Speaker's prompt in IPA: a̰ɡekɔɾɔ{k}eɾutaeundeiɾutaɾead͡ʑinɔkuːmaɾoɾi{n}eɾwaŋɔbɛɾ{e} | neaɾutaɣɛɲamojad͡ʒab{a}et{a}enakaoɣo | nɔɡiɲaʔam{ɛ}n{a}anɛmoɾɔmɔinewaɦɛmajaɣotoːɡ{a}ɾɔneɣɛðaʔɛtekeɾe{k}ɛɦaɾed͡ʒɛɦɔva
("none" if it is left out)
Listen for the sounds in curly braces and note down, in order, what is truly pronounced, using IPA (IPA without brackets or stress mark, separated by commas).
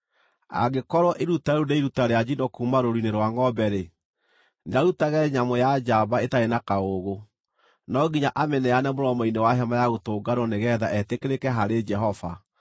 ʔ, n, e, a, a, ɛ, ɛ, a, k